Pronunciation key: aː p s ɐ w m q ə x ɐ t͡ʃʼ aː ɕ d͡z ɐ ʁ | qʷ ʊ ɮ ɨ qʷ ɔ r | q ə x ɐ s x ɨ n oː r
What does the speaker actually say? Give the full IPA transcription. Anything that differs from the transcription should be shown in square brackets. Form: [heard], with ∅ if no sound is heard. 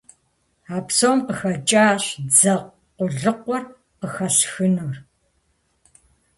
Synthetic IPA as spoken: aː p s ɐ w m q ə x ɐ t͡ʃʼ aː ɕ d͡z ɐ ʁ | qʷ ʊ ɮ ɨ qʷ ɔ r | q ə x ɐ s x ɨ n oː r